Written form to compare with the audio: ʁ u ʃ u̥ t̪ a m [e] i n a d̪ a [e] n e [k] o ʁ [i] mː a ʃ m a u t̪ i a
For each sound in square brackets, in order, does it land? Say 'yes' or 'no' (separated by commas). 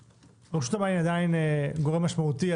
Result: no, no, no, no